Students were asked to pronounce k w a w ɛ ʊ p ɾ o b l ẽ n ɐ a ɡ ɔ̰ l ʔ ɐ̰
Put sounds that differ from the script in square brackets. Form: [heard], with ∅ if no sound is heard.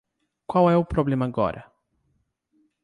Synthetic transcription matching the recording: k w a w ɛ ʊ p ɾ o b l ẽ [m] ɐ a ɡ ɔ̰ [ɾ] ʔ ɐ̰

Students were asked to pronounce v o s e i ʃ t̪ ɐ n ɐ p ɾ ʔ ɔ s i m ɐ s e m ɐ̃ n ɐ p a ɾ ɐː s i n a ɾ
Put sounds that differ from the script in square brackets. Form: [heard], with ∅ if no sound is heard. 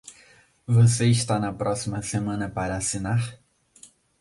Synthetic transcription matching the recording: v o s e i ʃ t̪ [a] n ɐ p ɾ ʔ ɔ s i m ɐ s e m ɐ̃ n ɐ p a ɾ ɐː s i n a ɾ

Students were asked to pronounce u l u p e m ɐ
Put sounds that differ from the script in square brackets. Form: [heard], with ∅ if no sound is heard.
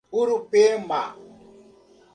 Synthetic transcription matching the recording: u [ɾ] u p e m [a]

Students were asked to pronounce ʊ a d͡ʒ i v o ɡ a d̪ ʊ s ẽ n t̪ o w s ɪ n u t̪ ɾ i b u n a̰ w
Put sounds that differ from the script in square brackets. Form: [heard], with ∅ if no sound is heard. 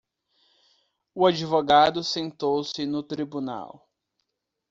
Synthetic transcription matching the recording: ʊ a d͡ʒ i v o ɡ a d̪ ʊ s ẽ n t̪ o w s ɪ n [ʊ] t̪ ɾ i b u n a̰ w

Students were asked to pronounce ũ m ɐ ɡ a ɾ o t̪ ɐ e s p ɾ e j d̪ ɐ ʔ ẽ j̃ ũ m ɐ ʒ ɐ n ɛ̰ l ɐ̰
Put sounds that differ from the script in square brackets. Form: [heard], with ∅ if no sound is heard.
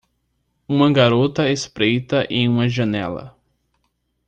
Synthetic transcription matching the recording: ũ m ɐ ɡ a ɾ o t̪ ɐ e s p ɾ e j [t̪] ɐ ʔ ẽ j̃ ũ m ɐ ʒ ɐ n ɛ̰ l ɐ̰

